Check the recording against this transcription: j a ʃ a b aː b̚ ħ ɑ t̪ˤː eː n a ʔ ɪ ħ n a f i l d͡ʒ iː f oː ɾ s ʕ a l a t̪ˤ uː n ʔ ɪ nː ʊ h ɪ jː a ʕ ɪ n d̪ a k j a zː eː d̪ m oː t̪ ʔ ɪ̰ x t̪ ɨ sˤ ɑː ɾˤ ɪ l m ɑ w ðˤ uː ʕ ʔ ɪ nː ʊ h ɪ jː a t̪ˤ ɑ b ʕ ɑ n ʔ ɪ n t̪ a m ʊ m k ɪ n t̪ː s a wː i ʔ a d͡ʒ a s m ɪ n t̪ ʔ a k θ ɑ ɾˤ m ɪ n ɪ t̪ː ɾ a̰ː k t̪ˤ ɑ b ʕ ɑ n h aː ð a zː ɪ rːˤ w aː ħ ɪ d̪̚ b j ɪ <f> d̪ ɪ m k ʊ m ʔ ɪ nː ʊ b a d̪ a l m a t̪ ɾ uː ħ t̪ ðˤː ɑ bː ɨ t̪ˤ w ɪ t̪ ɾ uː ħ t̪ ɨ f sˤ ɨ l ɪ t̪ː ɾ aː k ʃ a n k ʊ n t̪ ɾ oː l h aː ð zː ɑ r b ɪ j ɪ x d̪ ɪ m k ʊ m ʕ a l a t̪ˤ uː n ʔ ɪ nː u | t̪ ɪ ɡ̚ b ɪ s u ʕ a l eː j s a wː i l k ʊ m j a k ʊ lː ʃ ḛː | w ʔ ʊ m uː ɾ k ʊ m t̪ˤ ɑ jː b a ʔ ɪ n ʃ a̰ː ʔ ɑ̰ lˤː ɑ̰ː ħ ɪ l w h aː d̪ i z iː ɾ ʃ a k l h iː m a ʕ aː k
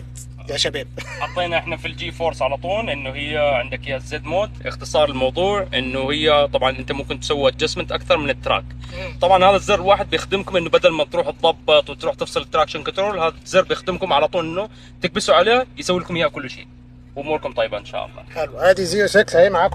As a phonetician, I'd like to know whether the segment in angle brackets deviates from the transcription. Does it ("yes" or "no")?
yes